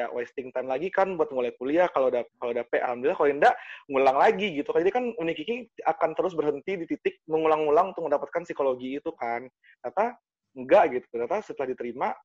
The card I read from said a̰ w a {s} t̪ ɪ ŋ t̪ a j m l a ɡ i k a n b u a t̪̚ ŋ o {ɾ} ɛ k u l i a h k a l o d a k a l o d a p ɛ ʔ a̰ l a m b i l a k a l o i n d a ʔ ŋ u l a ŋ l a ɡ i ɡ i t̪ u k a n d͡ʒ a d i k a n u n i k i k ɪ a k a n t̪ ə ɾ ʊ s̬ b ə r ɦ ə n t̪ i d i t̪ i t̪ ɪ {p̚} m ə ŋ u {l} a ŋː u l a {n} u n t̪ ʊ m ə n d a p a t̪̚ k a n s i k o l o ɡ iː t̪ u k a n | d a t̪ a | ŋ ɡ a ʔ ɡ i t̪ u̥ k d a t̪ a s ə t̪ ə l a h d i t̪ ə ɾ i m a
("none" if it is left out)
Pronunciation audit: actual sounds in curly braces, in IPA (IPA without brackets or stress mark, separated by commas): s, l, k̚, l, ŋ